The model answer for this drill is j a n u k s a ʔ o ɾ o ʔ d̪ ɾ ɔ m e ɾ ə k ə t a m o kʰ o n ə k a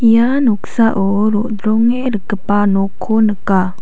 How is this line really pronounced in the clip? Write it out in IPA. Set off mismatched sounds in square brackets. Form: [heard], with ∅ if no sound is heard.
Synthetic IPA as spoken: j a n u k s a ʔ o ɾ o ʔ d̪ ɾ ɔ [ŋ] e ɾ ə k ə [p] a [n] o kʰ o n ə k a